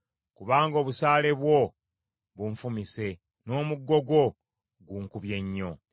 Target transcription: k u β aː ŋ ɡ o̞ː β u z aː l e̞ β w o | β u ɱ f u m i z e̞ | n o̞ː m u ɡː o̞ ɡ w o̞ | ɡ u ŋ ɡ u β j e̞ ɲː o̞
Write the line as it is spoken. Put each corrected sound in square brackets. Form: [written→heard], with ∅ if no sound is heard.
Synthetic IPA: k u β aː ŋ ɡ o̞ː β u [z→s] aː l e̞ β w o | β u ɱ f u m i [z→s] e̞ | n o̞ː m u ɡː o̞ ɡ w o̞ | ɡ u ŋ [ɡ→k] u β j e̞ ɲː o̞